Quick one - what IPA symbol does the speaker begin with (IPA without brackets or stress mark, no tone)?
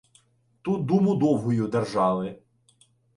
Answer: t̪